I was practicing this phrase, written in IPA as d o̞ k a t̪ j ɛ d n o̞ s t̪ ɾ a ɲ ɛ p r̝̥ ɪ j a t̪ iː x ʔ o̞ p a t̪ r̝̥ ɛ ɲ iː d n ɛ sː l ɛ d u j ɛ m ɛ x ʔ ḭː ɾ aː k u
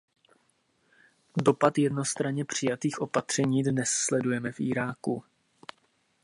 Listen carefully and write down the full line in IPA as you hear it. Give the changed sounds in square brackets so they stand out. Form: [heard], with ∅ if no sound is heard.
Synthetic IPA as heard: d o̞ [p] a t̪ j ɛ d n o̞ s t̪ ɾ a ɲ ɛ p r̝̥ ɪ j a t̪ iː x ʔ o̞ p a t̪ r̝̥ ɛ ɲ iː d n ɛ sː l ɛ d u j ɛ m ɛ [f] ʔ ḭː ɾ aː k u